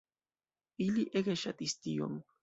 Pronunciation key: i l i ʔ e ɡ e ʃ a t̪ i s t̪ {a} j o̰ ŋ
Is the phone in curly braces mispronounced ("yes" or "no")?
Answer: yes